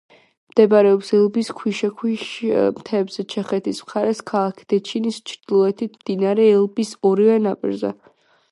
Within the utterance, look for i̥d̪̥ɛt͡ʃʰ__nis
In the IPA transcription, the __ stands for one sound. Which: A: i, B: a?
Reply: A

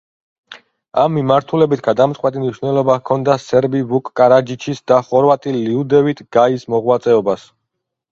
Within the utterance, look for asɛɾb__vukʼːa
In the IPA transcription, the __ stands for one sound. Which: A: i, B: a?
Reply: A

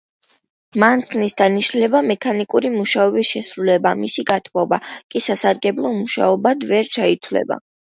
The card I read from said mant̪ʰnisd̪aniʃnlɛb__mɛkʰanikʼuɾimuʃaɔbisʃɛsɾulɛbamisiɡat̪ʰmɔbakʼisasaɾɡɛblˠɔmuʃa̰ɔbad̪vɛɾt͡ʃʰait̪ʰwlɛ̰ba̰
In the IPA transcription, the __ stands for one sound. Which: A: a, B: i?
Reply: A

